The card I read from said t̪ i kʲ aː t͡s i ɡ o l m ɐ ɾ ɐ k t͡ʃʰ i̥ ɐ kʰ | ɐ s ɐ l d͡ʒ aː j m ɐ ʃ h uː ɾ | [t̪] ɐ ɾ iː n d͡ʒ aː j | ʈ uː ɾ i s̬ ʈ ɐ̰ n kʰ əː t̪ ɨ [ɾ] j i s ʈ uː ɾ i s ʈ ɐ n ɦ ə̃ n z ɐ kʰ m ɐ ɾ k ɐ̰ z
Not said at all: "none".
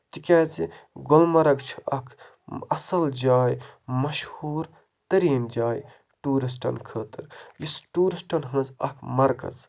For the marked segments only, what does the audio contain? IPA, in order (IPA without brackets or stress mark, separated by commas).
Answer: t̪, ɾ